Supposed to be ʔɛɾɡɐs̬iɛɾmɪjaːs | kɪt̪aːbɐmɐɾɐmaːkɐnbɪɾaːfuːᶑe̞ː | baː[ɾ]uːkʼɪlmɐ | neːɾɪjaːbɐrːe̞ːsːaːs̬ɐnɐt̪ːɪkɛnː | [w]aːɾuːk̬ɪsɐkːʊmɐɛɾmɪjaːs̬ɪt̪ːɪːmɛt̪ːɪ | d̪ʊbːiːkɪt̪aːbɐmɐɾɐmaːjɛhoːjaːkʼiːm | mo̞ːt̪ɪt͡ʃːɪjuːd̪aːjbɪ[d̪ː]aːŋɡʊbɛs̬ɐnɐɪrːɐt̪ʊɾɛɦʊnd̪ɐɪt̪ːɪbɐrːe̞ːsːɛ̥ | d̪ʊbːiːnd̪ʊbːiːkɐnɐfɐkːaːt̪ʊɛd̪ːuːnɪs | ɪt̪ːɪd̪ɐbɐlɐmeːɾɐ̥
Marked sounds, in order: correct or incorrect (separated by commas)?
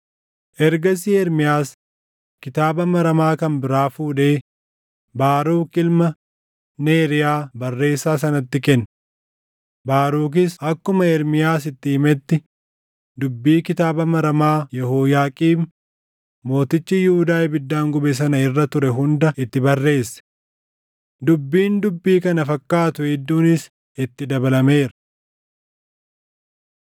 correct, incorrect, correct